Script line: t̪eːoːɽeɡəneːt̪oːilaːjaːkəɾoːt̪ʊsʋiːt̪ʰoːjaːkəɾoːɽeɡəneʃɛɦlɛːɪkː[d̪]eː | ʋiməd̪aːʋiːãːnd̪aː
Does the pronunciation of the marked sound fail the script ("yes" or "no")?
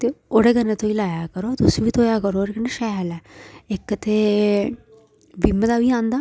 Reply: yes